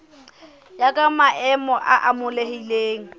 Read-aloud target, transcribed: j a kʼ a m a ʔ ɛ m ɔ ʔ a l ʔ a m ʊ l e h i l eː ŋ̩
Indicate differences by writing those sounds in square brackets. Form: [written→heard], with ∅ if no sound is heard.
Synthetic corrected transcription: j a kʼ a m a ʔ ɛ m ɔ ʔ a [l→∅] ʔ a m ʊ l e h i l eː ŋ̩